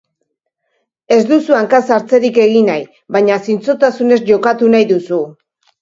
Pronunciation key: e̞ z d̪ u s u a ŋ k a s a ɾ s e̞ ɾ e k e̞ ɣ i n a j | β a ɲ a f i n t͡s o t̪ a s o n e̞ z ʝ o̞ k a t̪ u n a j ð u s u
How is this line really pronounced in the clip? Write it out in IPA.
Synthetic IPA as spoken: e̞ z d̪ u s u a ŋ k a s a ɾ t͡s e̞ ɾ i k e̞ ɣ i n a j | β a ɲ a s i n t͡s o t̪ a s u n e̞ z ʝ o̞ k a t̪ u n a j ð u s u